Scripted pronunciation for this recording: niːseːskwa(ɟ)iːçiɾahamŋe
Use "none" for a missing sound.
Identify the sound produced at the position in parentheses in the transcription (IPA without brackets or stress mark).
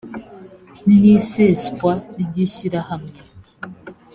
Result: ɟ